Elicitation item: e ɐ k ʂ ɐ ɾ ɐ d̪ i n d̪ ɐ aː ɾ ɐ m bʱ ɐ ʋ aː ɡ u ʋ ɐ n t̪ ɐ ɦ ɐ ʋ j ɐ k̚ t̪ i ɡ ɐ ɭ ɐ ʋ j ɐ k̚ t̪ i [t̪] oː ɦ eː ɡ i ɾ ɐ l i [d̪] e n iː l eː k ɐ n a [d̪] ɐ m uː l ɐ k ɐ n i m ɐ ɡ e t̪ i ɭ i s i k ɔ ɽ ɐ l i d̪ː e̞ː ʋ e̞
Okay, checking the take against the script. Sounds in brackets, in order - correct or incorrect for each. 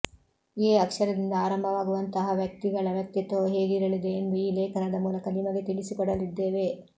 correct, correct, correct

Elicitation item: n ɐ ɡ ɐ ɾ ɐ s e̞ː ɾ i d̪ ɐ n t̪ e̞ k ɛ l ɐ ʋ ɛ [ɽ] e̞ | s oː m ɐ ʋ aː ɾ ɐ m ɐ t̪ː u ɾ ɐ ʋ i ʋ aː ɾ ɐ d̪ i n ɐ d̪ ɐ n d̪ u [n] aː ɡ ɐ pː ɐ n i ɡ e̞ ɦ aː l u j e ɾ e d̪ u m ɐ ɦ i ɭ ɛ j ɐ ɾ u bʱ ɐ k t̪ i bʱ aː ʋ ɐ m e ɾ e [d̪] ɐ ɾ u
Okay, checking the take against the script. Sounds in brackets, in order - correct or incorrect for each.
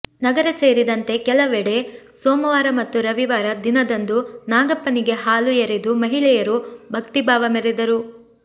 correct, correct, correct

